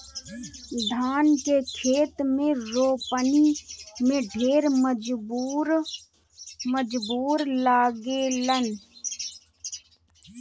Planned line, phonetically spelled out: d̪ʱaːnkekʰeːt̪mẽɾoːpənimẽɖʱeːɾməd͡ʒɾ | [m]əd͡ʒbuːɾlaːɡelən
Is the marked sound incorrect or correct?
correct